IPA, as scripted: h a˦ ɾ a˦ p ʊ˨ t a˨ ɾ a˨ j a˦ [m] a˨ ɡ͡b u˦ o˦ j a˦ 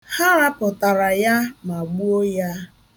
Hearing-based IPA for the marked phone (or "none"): m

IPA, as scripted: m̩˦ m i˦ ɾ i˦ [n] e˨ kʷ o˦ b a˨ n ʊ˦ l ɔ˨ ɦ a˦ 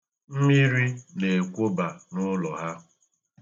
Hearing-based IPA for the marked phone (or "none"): n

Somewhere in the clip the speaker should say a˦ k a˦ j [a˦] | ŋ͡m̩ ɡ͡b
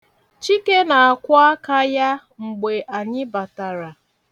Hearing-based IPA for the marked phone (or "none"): a˦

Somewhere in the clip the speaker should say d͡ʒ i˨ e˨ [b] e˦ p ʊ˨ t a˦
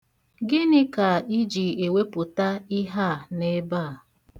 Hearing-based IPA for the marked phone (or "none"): w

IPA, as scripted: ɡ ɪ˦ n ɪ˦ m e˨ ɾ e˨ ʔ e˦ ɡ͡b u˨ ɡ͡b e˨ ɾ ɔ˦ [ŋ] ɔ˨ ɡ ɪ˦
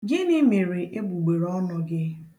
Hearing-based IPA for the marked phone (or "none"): n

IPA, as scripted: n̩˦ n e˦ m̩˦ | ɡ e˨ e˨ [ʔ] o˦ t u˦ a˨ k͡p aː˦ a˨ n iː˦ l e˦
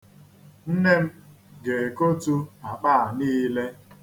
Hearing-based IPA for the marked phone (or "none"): k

